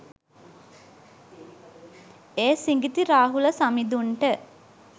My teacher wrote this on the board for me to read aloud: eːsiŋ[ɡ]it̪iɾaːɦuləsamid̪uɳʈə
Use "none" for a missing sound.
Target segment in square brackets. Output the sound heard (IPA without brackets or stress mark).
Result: ɡ